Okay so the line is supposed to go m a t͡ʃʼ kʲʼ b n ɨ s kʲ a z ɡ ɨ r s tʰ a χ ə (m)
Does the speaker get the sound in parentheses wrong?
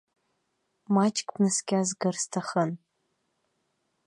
yes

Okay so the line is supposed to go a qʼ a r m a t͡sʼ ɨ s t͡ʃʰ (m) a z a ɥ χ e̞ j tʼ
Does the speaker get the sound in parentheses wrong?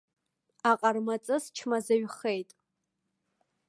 no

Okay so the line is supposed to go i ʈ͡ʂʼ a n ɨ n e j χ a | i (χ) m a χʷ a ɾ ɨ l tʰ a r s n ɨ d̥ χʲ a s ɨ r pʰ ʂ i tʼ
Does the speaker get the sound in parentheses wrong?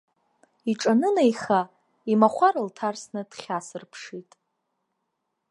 yes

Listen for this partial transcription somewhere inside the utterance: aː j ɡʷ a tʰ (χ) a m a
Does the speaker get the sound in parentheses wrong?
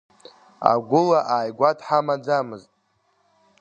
yes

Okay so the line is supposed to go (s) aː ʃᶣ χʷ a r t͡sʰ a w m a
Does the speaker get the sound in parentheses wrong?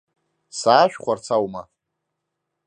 no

